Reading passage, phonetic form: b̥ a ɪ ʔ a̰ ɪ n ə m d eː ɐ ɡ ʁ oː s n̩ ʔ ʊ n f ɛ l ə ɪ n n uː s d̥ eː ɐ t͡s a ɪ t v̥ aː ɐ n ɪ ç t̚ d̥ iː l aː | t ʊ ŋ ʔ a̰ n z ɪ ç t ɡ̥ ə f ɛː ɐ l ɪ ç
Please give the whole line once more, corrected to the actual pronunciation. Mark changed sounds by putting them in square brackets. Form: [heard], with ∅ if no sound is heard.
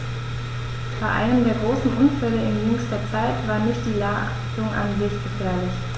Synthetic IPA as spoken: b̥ a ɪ ʔ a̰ ɪ n ə m d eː ɐ ɡ ʁ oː s n̩ ʔ ʊ n f ɛ l ə ɪ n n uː s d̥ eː ɐ t͡s a ɪ t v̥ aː ɐ n ɪ ç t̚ d̥ iː l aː | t ʊ ŋ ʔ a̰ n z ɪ ç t ɡ̥ ə f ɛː ɐ l ɪ ç

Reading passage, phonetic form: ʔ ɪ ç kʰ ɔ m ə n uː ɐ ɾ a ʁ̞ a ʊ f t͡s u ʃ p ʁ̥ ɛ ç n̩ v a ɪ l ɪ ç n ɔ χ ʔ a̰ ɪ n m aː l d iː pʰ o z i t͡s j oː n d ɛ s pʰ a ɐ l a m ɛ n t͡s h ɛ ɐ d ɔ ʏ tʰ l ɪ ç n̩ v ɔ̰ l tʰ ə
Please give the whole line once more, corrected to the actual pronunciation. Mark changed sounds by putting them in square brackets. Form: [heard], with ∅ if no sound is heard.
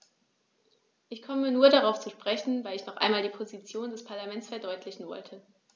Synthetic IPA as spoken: ʔ ɪ ç kʰ ɔ m ə n uː ɐ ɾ a ʁ̞ a ʊ f t͡s u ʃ p ʁ̥ ɛ ç n̩ v a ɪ l ɪ ç n ɔ χ ʔ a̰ ɪ n m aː l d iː pʰ o z i t͡s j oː n d ɛ s pʰ a ɐ l a m ɛ n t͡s [f] ɛ ɐ d ɔ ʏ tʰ l ɪ ç n̩ v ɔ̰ l tʰ ə

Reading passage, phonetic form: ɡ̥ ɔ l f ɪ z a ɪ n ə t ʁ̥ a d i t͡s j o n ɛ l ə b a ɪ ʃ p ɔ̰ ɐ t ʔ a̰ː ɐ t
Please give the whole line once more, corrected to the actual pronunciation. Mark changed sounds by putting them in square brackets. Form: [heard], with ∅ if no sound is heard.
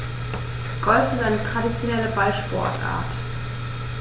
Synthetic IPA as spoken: ɡ̥ ɔ l f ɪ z a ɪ n ə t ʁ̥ a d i t͡s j o n ɛ l ə b a ɪ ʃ p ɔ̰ ɐ t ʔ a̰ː ɐ t

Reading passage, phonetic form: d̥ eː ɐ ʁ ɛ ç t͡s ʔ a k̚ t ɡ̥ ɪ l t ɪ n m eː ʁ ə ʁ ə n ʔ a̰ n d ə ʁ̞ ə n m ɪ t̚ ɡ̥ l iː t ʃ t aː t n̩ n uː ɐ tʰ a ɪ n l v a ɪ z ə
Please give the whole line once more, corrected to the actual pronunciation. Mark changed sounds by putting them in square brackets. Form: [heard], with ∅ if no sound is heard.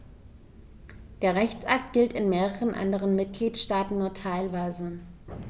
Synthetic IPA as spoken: d̥ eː ɐ ʁ ɛ ç t͡s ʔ a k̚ t ɡ̥ ɪ l t ɪ n m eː ʁ ə ʁ ə n ʔ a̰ n d ə ʁ̞ ə n m ɪ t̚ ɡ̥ l iː t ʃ t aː t n̩ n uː ɐ tʰ a ɪ [∅] l v a ɪ z ə

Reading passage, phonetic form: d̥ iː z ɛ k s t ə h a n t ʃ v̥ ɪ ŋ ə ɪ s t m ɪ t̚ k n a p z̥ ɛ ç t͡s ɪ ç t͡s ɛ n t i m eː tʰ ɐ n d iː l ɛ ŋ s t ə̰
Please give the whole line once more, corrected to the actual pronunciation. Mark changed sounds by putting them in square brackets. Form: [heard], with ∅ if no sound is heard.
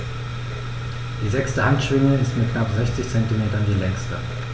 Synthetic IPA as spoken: d̥ iː z ɛ k s t ə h a n t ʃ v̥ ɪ ŋ ə ɪ s t m ɪ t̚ k n a p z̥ ɛ ç t͡s ɪ ç t͡s ɛ n t i m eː [t] ɐ n d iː l ɛ ŋ s t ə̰

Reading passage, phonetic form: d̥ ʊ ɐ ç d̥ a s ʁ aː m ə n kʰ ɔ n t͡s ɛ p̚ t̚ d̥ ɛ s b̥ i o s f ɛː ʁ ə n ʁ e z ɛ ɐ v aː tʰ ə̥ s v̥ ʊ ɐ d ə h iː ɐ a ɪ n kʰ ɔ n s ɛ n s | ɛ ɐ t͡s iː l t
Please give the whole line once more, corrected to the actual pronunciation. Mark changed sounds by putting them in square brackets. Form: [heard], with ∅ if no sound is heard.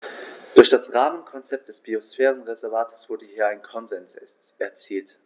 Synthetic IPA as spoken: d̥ ʊ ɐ ç d̥ a s ʁ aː m ə n kʰ ɔ n t͡s ɛ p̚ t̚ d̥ ɛ s b̥ i o s f ɛː ʁ ə n ʁ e z ɛ ɐ v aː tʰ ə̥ s v̥ ʊ ɐ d ə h iː ɐ a ɪ n kʰ ɔ n [z] ɛ n s | ɛ ɐ t͡s iː l t

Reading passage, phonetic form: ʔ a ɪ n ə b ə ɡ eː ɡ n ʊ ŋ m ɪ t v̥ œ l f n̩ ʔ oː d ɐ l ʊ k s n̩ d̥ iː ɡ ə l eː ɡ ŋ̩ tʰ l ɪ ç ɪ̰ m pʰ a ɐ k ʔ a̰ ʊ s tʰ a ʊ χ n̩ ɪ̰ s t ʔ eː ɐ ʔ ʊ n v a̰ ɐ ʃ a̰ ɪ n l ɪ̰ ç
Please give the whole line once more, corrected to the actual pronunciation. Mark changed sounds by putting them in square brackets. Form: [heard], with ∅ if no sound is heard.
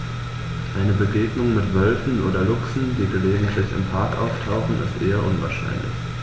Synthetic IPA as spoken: ʔ a ɪ n ə b ə ɡ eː ɡ n ʊ ŋ m ɪ t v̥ œ l f n̩ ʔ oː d ɐ l ʊ k s n̩ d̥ iː ɡ ə l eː ɡ ŋ̩ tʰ l ɪ ç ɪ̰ m pʰ a ɐ k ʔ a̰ ʊ [f] tʰ a ʊ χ n̩ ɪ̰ s t ʔ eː ɐ ʔ ʊ n v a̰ ɐ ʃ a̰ ɪ n l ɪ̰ ç

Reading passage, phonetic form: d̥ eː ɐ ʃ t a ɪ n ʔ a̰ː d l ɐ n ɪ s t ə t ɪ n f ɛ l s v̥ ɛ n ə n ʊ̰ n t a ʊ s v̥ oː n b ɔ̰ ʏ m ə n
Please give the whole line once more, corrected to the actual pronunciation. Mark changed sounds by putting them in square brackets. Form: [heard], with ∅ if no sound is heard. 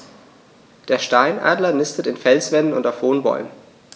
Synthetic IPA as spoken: d̥ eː ɐ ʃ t a ɪ n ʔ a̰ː d l ɐ n ɪ s t ə t ɪ n f ɛ l s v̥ ɛ n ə n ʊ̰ n t a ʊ [f] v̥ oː n b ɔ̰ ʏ m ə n

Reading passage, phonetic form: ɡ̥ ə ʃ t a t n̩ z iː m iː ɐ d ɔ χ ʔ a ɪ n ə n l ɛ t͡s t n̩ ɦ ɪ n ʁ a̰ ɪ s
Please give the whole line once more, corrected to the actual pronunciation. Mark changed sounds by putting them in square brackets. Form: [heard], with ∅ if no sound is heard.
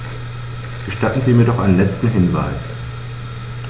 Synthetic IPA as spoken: ɡ̥ ə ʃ t a t n̩ z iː m iː ɐ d ɔ χ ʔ a ɪ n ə n l ɛ t͡s t n̩ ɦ ɪ n [v] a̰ ɪ s

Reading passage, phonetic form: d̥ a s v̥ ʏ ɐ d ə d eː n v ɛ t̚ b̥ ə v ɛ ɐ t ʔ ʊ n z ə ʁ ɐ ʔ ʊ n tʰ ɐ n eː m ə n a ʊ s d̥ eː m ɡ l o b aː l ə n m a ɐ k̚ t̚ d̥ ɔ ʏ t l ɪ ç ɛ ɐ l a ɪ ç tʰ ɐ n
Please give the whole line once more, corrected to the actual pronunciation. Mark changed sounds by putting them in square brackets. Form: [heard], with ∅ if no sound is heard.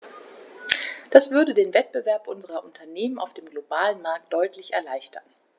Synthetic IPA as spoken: d̥ a s v̥ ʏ ɐ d ə d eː n v ɛ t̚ b̥ ə v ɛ ɐ [p] ʔ ʊ n z ə ʁ ɐ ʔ ʊ n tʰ ɐ n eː m ə n a ʊ [f] d̥ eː m ɡ l o b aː l ə n m a ɐ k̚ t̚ d̥ ɔ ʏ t l ɪ ç ɛ ɐ l a ɪ ç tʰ ɐ n

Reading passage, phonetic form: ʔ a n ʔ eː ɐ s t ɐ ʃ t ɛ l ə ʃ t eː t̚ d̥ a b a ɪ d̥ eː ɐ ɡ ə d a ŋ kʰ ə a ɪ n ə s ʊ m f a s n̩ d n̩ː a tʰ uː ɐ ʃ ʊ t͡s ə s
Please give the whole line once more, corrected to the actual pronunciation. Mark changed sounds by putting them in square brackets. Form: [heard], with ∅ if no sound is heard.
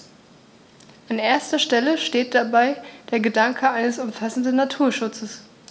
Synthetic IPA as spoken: ʔ a n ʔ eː ɐ s t ɐ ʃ t ɛ l ə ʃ t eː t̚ d̥ a b a ɪ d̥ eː ɐ ɡ ə d a ŋ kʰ ə a ɪ n ə s ʊ m f a s n̩ d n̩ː a tʰ uː ɐ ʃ ʊ t͡s ə s

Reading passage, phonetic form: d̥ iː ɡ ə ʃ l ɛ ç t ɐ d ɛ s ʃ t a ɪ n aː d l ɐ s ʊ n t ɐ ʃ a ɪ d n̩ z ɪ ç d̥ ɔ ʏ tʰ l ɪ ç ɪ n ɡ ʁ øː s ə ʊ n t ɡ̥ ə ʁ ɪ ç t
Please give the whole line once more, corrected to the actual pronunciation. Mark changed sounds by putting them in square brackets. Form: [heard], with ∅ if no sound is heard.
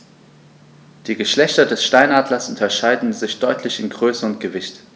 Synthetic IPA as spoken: d̥ iː ɡ ə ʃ l ɛ ç t ɐ d ɛ s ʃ t a ɪ n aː d l ɐ s ʊ n t ɐ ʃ a ɪ d n̩ z ɪ ç d̥ ɔ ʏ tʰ l ɪ ç ɪ n ɡ ʁ øː s ə ʊ n t ɡ̥ ə [v] ɪ ç t

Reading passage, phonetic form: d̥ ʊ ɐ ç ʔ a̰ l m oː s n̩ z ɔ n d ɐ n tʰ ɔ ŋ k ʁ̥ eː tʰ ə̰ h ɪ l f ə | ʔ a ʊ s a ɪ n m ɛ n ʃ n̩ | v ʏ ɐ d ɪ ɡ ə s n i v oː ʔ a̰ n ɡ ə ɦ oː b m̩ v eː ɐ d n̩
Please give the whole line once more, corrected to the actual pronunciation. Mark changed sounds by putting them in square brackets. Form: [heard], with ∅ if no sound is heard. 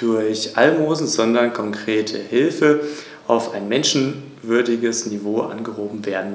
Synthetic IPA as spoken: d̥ ʊ ɐ ç ʔ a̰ l m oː [z] n̩ z ɔ n d ɐ n [kʰ] ɔ ŋ k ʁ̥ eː tʰ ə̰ h ɪ l f ə | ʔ a ʊ [f] a ɪ n m ɛ n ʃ n̩ | v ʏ ɐ d ɪ ɡ ə s n i v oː ʔ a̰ n ɡ ə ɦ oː b m̩ v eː ɐ d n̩

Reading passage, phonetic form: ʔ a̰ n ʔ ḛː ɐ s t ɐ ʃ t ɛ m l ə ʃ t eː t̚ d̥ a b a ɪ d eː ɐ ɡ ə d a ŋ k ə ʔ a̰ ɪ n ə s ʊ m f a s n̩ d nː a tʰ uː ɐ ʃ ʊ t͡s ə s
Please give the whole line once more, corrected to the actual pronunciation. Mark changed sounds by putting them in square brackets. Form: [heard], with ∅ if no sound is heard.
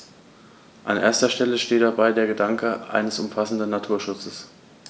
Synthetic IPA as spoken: ʔ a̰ n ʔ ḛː ɐ s t ɐ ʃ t ɛ [∅] l ə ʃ t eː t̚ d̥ a b a ɪ d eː ɐ ɡ ə d a ŋ k ə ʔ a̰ ɪ n ə s ʊ m f a s n̩ d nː a tʰ uː ɐ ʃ ʊ t͡s ə s

